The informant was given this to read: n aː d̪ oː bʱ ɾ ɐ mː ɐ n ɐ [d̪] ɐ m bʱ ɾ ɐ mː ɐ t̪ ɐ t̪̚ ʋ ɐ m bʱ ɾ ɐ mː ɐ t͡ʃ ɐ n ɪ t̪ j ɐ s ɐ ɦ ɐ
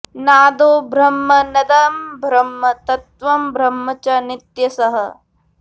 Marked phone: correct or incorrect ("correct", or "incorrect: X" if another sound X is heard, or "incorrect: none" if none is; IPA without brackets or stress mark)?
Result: correct